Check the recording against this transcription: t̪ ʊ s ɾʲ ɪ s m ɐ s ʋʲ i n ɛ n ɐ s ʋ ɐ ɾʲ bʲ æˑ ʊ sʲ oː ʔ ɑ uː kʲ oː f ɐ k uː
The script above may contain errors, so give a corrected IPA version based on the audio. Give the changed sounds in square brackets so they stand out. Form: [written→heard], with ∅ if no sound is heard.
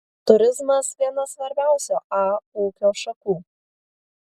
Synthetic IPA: t̪ ʊ [s→∅] ɾʲ ɪ [s→z] m ɐ s ʋʲ i [n→∅] ɛ n ɐ s ʋ ɐ ɾʲ bʲ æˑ ʊ sʲ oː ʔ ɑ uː kʲ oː [f→ʃ] ɐ k uː